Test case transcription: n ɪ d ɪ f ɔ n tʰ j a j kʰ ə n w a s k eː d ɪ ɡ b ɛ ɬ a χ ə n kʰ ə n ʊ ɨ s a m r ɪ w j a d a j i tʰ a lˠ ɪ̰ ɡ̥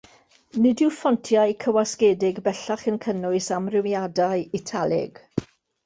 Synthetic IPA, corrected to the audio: n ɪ d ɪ f ɔ n tʰ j a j kʰ ə w a s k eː d ɪ ɡ b ɛ ɬ a χ ə n kʰ ə n ʊ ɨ s a m r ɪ w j a d a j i tʰ a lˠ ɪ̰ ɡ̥